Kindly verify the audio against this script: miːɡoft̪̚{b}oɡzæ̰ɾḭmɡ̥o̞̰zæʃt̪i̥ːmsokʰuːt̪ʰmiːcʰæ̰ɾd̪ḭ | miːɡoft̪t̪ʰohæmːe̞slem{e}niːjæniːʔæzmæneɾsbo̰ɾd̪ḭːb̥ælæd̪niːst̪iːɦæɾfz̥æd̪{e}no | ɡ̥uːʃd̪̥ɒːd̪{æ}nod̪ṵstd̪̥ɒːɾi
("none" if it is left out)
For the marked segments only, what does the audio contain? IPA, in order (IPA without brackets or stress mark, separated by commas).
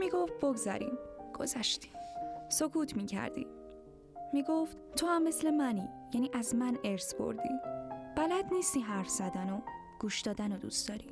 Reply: b, æ, æ, æ